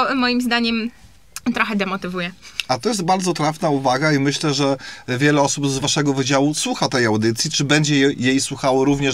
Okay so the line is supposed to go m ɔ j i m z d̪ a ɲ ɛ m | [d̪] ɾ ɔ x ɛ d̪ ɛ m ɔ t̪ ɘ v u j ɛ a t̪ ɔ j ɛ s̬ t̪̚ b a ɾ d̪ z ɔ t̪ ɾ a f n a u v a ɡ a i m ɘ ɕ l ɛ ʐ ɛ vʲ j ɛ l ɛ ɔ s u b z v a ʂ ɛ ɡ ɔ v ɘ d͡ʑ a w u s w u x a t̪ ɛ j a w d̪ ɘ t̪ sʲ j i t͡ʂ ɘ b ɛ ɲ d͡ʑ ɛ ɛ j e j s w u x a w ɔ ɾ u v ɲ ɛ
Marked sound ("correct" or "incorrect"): incorrect